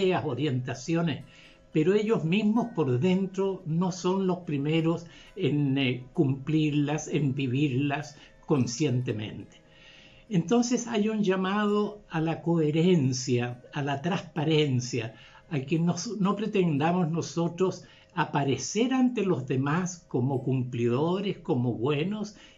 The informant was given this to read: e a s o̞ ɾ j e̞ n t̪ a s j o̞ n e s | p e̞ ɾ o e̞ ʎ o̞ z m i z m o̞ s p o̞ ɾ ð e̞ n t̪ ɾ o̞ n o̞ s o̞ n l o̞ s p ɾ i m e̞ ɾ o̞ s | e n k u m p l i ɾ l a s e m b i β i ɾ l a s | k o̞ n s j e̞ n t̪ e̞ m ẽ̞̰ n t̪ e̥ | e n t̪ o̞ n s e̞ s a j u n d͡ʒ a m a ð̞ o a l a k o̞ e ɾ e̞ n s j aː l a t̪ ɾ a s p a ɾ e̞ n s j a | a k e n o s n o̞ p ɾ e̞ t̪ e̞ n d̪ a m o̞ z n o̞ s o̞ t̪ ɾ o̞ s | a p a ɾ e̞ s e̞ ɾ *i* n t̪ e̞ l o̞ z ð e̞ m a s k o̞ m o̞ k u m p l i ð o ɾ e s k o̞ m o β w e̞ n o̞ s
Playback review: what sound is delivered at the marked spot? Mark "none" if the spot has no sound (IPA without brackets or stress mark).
a